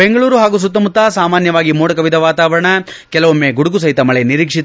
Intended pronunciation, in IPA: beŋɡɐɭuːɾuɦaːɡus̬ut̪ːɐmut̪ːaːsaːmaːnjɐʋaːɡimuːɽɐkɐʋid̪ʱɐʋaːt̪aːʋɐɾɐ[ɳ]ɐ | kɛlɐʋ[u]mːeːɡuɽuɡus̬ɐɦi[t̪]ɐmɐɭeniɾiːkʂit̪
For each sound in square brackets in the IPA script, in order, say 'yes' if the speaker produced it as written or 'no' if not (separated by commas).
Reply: yes, no, yes